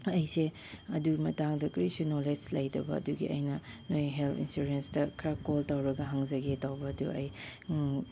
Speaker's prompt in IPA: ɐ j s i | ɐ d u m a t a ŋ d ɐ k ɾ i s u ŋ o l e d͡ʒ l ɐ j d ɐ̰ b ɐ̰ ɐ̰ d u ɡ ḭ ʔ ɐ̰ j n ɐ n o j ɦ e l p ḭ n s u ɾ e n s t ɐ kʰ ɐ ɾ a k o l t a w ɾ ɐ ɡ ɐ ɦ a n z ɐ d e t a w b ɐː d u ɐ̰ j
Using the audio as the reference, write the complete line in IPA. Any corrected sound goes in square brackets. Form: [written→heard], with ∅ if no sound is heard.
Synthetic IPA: ɐ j s [i→e] | ɐ d u m [a→ɐ] t a ŋ d ɐ k ɾ i s u [ŋ→n] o l e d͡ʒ l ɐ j d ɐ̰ b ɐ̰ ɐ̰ d u ɡ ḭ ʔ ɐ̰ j n ɐ n o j ɦ e l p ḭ n s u ɾ e n s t ɐ kʰ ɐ ɾ a k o l t a w ɾ ɐ ɡ ɐ ɦ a [n→ŋ] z ɐ [d→ɡ] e t a w b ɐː d u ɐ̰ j